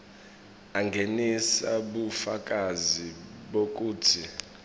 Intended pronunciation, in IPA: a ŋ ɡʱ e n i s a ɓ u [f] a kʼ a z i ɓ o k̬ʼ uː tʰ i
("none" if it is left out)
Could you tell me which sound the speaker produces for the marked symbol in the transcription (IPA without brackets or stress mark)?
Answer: f